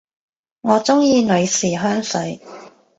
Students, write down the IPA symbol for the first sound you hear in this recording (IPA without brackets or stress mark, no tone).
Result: ŋ